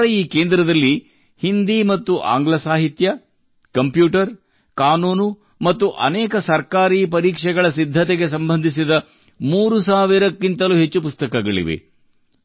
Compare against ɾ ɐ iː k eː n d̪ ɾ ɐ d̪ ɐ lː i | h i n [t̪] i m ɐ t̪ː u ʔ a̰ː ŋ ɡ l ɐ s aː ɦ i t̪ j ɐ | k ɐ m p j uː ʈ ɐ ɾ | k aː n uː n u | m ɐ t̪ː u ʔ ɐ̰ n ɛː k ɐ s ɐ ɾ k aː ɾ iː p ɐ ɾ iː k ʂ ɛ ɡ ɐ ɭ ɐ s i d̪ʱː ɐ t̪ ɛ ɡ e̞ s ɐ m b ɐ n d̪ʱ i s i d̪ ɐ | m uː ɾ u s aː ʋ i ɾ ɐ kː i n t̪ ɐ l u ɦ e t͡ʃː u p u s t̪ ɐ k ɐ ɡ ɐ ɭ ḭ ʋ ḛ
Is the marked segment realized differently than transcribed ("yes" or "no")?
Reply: yes